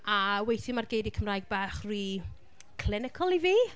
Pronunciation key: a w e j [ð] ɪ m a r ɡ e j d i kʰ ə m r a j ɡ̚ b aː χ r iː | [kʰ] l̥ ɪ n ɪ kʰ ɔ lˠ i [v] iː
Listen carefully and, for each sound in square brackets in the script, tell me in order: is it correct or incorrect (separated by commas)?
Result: incorrect, correct, correct